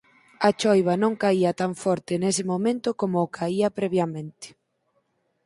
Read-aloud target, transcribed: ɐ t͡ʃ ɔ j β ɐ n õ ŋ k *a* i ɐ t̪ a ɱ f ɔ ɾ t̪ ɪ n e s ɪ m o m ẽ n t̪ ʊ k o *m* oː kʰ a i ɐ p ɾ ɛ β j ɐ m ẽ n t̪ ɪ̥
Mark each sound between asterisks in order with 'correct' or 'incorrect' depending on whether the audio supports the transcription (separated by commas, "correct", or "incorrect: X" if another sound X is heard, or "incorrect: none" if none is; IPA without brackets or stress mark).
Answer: correct, correct